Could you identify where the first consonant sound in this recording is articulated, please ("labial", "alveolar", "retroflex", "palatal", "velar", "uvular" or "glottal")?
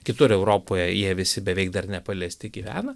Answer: velar